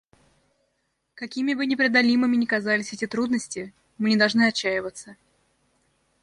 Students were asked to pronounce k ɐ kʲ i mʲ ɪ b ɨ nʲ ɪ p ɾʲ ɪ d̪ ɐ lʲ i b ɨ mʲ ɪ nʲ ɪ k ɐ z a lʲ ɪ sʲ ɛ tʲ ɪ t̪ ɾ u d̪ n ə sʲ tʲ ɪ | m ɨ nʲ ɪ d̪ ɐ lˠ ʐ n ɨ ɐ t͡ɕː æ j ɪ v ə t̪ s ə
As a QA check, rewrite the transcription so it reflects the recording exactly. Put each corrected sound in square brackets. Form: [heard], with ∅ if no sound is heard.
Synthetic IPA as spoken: k ɐ kʲ i mʲ ɪ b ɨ nʲ ɪ p ɾʲ ɪ d̪ ɐ lʲ i [m] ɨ mʲ ɪ nʲ ɪ k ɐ z a lʲ ɪ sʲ ɛ tʲ ɪ t̪ ɾ u d̪ n ə sʲ tʲ ɪ | m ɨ nʲ ɪ d̪ ɐ lˠ ʐ n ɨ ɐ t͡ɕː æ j ɪ v ə t̪ s ə